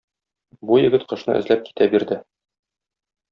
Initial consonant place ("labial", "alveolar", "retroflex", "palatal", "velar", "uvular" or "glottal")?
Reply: labial